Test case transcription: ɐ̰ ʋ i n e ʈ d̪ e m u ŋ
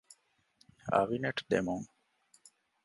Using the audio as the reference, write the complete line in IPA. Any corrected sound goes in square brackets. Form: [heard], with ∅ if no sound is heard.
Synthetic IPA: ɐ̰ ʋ i n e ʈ d̪ e m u ŋ